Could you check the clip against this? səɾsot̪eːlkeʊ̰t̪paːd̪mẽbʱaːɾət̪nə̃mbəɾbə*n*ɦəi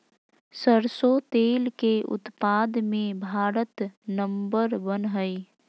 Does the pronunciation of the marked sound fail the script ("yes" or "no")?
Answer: no